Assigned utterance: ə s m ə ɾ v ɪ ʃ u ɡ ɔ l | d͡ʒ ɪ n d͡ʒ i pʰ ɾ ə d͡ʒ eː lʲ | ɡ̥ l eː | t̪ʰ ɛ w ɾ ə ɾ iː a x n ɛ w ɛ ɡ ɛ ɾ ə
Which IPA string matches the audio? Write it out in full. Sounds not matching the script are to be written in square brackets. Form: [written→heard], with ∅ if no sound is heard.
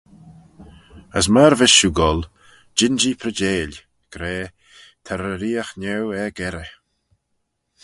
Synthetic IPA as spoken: ə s m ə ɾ v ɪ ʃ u ɡ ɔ l | d͡ʒ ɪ n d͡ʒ i pʰ ɾ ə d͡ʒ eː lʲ | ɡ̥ [l→ɾ] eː | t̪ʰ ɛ [w→∅] ɾ ə ɾ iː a x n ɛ w ɛ ɡ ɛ ɾ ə